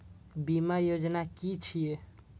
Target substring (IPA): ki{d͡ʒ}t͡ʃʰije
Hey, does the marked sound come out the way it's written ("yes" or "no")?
no